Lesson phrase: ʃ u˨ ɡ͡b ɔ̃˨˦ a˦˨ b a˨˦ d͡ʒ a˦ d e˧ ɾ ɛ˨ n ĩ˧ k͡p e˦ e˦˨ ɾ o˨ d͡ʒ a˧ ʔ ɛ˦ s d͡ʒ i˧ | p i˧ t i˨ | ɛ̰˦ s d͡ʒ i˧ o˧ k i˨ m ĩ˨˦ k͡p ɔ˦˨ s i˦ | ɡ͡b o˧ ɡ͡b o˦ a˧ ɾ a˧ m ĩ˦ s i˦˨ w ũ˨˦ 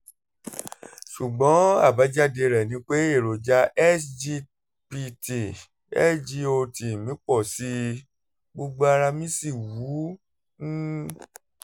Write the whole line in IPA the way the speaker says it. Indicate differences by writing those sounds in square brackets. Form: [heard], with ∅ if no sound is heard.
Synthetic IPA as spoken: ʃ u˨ ɡ͡b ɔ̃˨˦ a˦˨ b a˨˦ d͡ʒ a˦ d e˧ ɾ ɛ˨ n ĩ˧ k͡p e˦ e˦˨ ɾ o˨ d͡ʒ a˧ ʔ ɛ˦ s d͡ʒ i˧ | p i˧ t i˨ | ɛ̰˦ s d͡ʒ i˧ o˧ [t] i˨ m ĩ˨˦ k͡p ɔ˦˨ s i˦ | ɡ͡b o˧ ɡ͡b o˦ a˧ ɾ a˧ m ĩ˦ s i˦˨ w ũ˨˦

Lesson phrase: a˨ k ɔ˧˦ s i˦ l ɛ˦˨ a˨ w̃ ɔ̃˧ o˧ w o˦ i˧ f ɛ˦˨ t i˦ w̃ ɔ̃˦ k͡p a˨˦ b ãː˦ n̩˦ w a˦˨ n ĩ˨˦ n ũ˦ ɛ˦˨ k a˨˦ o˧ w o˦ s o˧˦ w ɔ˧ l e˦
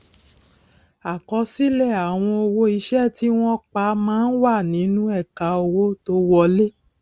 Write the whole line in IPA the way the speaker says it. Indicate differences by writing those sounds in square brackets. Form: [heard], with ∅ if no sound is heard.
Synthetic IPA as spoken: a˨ k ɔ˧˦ s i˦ l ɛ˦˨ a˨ w̃ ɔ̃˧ o˧ w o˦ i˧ [ʃ] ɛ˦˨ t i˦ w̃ ɔ̃˦ k͡p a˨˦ [m] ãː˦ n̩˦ w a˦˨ n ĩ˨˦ n ũ˦ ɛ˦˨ k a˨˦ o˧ w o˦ [t] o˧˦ w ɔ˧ l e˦

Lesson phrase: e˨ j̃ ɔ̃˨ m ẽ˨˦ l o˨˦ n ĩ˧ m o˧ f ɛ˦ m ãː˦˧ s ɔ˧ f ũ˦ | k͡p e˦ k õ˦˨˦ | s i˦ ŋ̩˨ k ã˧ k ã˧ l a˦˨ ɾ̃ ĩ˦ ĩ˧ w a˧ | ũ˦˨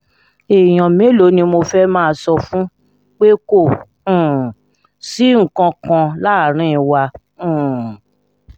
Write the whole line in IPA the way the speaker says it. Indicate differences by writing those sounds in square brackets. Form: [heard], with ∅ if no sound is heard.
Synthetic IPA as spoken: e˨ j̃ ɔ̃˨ m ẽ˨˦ l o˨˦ n ĩ˧ m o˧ f ɛ˦ m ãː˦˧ s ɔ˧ f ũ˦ | k͡p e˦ k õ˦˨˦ | s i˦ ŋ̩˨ k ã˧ k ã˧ l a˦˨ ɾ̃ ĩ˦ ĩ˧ w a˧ | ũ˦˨

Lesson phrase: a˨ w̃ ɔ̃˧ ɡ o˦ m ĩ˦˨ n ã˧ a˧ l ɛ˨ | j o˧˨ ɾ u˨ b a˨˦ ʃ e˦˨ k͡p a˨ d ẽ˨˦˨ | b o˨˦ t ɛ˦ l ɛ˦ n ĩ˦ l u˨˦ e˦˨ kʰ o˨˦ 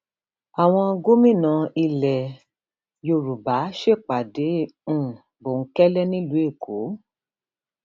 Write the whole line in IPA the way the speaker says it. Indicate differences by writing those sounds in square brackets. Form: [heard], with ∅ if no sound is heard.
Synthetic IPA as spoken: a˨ w̃ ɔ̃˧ ɡ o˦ m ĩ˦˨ n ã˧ [i˧] l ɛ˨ | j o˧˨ ɾ u˨ b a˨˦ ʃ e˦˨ k͡p a˨ d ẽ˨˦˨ | b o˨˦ [k] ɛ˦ l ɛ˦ n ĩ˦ l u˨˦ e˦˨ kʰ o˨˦

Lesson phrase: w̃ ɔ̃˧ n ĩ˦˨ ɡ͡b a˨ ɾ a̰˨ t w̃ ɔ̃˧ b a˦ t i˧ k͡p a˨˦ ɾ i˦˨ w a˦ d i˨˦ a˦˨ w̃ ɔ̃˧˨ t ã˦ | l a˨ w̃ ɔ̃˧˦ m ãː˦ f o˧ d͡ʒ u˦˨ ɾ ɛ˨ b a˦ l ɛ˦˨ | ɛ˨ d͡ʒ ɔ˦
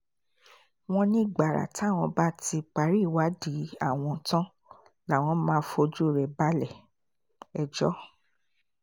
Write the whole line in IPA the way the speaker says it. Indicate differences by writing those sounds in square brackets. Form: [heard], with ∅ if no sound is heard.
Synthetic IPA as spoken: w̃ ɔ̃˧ n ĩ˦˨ ɡ͡b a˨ ɾ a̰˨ t w̃ ɔ̃˧ b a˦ t i˧ k͡p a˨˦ ɾ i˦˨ w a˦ d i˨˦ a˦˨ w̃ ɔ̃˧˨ t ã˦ | l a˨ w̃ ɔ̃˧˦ m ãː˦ f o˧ d͡ʒ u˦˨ ɾ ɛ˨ b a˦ l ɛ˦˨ | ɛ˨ d͡ʒ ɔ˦

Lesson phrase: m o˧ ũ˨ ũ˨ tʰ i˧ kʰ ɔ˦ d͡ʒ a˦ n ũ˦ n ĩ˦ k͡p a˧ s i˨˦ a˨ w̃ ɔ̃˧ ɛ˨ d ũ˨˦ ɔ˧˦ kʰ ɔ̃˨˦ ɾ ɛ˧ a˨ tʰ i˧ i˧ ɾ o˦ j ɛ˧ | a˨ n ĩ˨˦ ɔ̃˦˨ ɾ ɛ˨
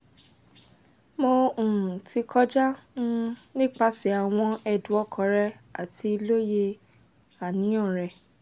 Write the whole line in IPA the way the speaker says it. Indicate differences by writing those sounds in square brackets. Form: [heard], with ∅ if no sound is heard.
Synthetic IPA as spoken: m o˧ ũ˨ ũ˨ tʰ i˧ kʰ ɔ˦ d͡ʒ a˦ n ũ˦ n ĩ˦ k͡p a˧ s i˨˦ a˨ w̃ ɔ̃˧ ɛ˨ d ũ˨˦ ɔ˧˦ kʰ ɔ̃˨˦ ɾ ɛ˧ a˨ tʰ i˧ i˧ [l] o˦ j [e˧] | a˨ n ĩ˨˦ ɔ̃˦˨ ɾ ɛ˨

